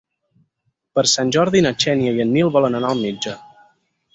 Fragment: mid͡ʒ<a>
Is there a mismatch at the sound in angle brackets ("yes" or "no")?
yes